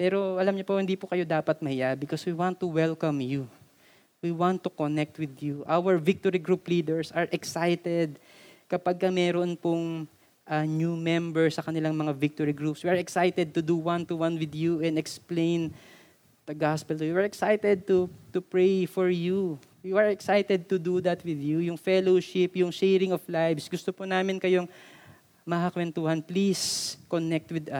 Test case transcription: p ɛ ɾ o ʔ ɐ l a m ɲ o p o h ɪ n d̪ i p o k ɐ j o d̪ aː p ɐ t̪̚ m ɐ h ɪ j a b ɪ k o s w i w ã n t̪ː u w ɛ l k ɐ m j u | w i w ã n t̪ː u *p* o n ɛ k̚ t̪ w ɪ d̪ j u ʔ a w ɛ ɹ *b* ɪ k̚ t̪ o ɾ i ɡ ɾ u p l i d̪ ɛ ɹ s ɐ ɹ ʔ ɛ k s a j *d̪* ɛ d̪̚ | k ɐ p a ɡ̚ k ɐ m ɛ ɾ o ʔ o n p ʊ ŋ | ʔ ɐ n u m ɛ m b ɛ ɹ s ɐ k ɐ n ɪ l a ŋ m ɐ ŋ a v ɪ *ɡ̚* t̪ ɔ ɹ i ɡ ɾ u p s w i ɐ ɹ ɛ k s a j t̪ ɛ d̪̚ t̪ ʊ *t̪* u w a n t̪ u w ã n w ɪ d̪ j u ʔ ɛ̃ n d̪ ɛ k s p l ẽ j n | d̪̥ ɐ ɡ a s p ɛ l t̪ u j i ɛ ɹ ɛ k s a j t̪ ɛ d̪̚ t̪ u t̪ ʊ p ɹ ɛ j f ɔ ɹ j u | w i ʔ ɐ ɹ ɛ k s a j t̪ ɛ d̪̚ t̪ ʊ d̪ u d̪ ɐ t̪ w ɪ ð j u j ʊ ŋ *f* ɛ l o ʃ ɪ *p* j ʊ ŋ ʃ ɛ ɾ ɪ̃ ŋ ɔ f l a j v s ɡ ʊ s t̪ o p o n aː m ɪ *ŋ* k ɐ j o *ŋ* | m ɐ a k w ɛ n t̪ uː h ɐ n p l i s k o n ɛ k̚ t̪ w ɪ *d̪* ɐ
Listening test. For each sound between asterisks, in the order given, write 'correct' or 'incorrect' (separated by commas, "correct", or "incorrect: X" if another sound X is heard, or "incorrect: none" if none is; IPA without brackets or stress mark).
incorrect: k, incorrect: v, incorrect: t̪, incorrect: k̚, incorrect: d̪, correct, correct, incorrect: n, correct, correct